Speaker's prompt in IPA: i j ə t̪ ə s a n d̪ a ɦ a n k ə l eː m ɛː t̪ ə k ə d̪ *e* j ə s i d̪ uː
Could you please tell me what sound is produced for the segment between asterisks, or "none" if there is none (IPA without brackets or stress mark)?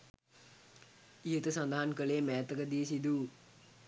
i